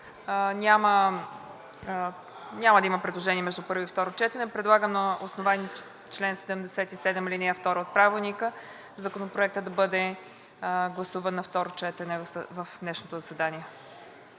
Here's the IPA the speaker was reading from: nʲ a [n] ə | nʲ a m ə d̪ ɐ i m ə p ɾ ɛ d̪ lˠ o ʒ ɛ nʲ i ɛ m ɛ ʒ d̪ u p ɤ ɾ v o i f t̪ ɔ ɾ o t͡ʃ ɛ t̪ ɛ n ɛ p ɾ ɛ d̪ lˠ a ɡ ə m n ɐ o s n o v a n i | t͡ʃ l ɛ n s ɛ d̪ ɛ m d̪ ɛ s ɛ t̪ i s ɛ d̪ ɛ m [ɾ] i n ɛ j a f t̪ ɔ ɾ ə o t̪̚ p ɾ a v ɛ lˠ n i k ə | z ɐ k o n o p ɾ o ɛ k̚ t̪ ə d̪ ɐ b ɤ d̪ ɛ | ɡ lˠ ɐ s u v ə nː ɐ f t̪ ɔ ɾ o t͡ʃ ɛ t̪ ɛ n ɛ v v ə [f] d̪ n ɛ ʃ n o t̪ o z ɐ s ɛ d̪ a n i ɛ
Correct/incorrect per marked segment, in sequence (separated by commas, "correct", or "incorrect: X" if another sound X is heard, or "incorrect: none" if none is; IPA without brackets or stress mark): incorrect: m, incorrect: l, correct